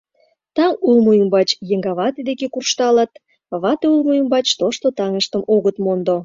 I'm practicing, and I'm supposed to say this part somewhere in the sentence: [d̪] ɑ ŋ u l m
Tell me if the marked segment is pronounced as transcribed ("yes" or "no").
no